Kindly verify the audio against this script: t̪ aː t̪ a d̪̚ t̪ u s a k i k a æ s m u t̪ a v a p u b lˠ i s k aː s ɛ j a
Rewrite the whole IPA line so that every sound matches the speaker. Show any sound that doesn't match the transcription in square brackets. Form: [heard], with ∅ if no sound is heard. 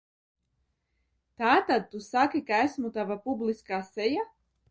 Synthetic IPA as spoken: t̪ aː t̪ a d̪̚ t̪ u s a k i k a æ s m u t̪ a v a p u b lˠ i s k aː s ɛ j a